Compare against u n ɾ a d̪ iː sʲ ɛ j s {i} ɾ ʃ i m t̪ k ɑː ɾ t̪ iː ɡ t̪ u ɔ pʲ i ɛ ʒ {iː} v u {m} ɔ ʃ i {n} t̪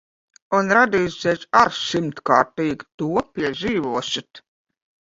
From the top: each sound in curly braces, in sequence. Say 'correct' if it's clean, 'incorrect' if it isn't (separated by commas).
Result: incorrect, correct, incorrect, incorrect